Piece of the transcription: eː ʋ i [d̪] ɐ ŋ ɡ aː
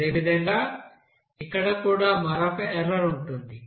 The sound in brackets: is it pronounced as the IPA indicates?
yes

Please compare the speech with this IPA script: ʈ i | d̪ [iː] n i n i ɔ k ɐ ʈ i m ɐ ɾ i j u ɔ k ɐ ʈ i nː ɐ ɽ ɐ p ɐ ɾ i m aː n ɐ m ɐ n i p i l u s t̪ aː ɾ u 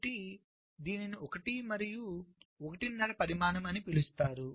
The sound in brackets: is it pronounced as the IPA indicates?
yes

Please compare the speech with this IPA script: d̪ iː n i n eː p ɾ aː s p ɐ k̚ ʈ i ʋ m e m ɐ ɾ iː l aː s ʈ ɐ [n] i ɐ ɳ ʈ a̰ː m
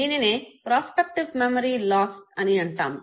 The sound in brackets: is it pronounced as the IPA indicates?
yes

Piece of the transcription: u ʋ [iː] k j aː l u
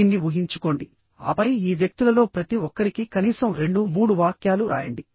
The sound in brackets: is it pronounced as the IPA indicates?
no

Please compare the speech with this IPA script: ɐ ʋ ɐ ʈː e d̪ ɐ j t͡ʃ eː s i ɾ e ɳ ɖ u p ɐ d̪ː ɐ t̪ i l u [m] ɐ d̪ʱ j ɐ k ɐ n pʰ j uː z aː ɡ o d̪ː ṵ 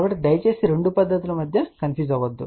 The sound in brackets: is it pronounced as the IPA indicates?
yes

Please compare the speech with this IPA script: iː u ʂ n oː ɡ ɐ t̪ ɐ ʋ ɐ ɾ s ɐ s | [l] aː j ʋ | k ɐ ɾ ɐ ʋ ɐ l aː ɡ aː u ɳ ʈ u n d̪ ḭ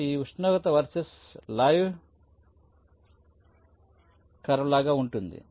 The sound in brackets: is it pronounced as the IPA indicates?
yes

